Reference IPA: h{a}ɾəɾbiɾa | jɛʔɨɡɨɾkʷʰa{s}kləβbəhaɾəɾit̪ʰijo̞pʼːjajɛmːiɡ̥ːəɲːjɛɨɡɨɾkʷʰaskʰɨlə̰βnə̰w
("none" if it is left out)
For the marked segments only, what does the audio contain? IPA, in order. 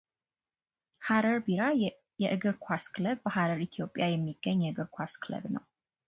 a, s

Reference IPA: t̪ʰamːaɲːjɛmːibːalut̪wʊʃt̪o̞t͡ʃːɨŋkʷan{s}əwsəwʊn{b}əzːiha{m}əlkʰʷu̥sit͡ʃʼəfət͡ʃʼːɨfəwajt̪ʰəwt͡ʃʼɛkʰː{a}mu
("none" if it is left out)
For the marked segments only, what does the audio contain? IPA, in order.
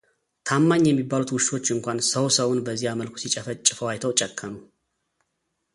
s, b, m, ə

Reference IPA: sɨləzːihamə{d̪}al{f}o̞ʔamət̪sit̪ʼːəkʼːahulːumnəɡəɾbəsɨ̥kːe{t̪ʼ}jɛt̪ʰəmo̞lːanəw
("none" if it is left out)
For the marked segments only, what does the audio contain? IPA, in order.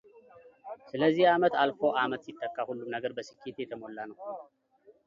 t̪, f, t̪

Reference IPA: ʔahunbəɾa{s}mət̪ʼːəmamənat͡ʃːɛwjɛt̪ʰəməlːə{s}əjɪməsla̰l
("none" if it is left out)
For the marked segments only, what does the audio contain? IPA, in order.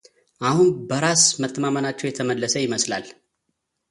s, s

